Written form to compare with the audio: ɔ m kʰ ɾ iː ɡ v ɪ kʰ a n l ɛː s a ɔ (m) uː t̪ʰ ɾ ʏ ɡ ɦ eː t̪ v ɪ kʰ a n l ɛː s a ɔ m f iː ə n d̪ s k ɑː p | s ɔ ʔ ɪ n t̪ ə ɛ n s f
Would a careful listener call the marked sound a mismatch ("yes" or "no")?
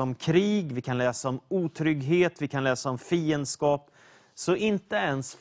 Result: no